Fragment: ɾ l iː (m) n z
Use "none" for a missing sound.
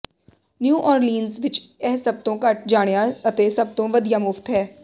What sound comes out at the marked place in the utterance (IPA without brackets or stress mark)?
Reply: none